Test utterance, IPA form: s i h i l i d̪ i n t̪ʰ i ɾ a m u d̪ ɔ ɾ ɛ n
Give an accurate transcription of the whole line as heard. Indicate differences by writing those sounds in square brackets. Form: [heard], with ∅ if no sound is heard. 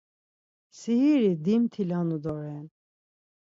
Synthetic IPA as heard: s i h i [ɾ] i d̪ i [m] t̪ʰ i [l] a [n] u d̪ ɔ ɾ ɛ n

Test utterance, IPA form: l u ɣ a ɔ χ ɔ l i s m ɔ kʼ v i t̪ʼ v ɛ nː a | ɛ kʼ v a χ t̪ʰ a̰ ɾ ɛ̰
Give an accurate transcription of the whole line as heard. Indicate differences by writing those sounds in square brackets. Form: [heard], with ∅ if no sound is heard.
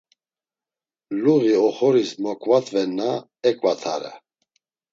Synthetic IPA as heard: l u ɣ [i] ɔ χ ɔ [ɾ] i s m ɔ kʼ v [a] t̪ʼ v ɛ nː a | ɛ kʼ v a [∅] t̪ʰ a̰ ɾ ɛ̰

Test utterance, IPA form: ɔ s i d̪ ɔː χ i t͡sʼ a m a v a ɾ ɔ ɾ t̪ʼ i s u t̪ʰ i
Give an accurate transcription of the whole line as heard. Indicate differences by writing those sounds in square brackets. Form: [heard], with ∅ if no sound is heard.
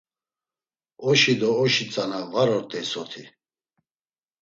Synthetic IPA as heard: ɔ [ʃ] i d̪ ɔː [ʃ] i t͡sʼ a [n] a v a ɾ ɔ ɾ t̪ʼ [ɛ] s [ɔ] t̪ʰ i

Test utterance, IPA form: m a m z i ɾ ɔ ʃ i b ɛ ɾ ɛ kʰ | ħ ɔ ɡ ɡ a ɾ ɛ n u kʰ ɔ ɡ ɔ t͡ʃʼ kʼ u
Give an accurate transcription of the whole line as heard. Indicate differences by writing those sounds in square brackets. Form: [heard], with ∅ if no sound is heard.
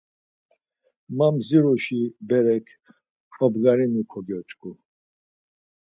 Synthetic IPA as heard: m a m z i ɾ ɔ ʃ i b ɛ ɾ ɛ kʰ | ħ ɔ [b] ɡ a ɾ [i] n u kʰ ɔ ɡ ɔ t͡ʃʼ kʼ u

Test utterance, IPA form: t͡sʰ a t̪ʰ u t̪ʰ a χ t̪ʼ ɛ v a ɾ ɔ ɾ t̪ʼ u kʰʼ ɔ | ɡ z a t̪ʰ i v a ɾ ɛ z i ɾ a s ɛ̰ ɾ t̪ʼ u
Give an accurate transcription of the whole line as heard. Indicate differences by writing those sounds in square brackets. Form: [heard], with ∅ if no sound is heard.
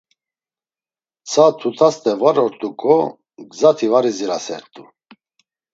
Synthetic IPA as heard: t͡sʰ a t̪ʰ u t̪ʰ a [s] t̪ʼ ɛ v a ɾ ɔ ɾ t̪ʼ u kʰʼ ɔ | ɡ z a t̪ʰ i v a ɾ [i] z i ɾ a s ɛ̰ ɾ t̪ʼ u

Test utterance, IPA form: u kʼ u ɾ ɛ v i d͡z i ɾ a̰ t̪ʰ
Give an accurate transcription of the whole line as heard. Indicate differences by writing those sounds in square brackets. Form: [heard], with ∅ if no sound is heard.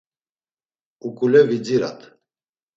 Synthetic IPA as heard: u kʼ u [l] ɛ v i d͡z i ɾ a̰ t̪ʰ

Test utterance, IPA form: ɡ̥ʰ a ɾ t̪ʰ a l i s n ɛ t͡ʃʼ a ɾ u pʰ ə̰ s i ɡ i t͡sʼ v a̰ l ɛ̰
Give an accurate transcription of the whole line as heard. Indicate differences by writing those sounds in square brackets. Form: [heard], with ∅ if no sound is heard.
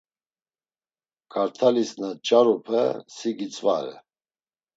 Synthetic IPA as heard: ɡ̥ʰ a ɾ t̪ʰ a l i s n [a] t͡ʃʼ a ɾ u pʰ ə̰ s i ɡ i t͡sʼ v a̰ [ɾ] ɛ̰

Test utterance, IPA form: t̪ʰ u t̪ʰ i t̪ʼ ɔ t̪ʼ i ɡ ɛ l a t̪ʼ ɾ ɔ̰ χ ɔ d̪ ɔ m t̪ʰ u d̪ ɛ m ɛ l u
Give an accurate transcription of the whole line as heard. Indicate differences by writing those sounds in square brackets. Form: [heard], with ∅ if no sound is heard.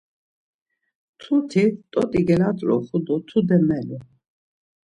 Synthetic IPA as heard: t̪ʰ u t̪ʰ i t̪ʼ ɔ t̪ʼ i ɡ ɛ l a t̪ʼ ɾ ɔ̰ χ [u] d̪ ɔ [∅] t̪ʰ u d̪ ɛ m ɛ l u

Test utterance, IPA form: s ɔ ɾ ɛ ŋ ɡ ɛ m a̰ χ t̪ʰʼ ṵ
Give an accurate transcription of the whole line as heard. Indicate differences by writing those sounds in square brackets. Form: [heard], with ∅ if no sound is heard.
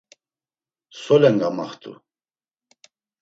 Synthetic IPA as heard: s ɔ [l] ɛ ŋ ɡ [a] m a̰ χ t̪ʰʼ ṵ

